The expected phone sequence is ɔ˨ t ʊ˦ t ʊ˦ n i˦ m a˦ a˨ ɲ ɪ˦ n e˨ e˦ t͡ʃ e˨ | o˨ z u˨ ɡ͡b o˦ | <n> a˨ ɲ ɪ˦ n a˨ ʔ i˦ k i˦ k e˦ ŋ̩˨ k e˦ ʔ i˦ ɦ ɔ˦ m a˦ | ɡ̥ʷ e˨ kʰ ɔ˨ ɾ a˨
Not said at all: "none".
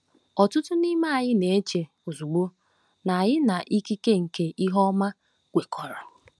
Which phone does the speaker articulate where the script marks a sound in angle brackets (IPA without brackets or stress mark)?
n